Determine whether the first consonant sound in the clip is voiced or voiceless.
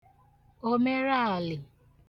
voiced